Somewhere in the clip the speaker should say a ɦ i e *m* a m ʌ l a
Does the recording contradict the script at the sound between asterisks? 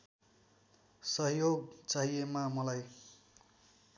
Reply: no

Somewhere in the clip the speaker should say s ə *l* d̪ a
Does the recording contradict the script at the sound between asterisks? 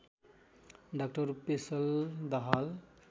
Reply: no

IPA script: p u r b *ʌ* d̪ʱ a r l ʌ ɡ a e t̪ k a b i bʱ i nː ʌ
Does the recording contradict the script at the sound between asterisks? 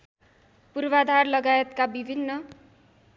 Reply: yes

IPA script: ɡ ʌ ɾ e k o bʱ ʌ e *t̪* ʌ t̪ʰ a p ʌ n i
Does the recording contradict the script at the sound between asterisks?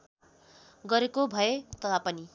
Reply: no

